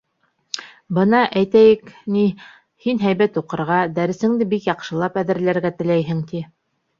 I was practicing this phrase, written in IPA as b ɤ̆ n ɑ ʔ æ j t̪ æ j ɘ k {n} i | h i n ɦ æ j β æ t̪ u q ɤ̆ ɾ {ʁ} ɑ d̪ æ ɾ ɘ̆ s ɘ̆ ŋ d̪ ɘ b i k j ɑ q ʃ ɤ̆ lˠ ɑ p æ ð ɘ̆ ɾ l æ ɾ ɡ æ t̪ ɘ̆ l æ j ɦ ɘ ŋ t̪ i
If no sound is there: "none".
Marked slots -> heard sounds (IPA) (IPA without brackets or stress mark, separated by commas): n, ʁ